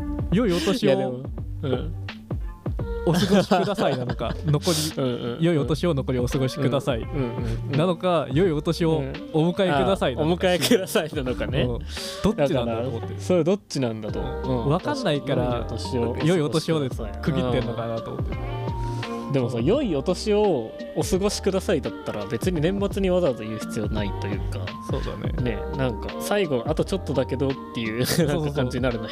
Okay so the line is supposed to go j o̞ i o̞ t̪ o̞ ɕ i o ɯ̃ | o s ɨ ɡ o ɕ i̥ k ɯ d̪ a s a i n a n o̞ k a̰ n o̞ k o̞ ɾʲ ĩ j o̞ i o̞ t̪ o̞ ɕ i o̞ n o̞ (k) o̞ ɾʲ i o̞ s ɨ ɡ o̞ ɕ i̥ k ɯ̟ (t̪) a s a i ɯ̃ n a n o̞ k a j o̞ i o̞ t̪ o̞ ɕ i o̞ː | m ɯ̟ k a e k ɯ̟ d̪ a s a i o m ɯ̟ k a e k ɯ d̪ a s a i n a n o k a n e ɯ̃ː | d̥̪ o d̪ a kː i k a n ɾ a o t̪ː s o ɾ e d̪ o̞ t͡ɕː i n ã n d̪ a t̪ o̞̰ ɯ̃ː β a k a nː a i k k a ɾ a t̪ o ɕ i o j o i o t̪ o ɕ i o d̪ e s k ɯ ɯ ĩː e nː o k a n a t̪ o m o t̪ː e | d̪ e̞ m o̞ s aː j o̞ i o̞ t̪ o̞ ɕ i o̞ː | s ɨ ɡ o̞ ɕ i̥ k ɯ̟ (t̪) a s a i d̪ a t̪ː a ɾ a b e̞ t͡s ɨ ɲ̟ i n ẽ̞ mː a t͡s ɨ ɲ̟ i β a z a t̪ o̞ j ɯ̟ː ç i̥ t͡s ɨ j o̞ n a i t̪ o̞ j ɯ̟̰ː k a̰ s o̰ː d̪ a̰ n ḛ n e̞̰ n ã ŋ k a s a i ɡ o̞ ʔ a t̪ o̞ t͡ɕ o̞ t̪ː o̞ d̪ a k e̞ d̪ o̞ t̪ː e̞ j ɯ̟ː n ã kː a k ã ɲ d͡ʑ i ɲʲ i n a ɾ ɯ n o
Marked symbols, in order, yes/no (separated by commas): yes, no, no